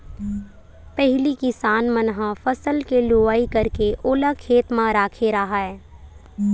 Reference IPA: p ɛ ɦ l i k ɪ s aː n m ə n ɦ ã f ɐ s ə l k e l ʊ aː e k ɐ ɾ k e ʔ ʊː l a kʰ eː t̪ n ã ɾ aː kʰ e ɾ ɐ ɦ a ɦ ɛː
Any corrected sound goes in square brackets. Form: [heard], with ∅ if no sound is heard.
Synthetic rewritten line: p ɛ ɦ l i k ɪ s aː n m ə n ɦ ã f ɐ s ə l k e l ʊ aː [i] k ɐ ɾ k e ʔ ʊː l a kʰ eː t̪ [m] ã ɾ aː kʰ e ɾ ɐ ɦ a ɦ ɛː

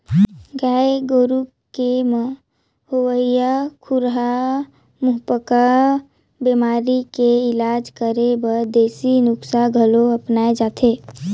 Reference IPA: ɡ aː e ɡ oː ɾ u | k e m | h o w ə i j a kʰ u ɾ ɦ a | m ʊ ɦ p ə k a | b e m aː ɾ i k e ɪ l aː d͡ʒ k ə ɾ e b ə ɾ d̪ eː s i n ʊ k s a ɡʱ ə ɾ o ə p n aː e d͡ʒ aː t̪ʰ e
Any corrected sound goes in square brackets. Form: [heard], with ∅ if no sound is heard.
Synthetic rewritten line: ɡ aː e ɡ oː ɾ u | k e m | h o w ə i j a kʰ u ɾ ɦ a | m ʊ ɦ p ə k a | b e m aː ɾ i k e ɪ l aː d͡ʒ k ə ɾ e b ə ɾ d̪ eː s i n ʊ k s a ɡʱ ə [l] o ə p n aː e d͡ʒ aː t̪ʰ e

